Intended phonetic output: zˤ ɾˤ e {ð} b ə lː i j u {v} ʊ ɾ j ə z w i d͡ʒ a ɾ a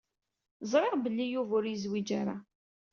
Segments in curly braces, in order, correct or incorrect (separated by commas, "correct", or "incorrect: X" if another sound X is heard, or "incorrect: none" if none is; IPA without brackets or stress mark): incorrect: ʁ, correct